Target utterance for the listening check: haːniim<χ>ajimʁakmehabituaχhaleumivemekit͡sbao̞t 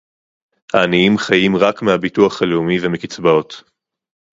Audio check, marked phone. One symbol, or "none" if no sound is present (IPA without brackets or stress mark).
χ